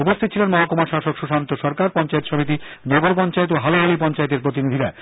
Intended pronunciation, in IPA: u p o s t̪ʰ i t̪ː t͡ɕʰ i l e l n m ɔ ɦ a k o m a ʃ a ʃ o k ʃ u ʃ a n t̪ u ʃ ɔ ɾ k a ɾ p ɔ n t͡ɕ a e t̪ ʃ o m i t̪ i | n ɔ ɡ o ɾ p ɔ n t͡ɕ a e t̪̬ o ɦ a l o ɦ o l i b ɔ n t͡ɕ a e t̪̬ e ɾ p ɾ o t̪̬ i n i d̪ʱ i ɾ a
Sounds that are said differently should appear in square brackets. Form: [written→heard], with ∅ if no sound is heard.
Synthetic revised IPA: u p o s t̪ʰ i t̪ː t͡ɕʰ i l e [l→∅] n m ɔ ɦ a k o m a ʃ a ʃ o k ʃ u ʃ a n t̪ [u→o] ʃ ɔ ɾ k a ɾ p ɔ n t͡ɕ a e t̪ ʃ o m i t̪ i | n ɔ ɡ o ɾ p ɔ n t͡ɕ a e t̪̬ o ɦ a l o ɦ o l i [b→p] ɔ n t͡ɕ a e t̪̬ e ɾ p ɾ o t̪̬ i n i d̪ʱ i ɾ a